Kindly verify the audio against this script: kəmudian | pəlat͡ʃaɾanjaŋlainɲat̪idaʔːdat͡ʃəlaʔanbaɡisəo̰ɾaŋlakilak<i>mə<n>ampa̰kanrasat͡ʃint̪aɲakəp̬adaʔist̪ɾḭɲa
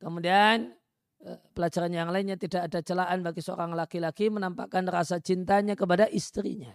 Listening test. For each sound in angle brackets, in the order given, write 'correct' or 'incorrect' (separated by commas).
correct, correct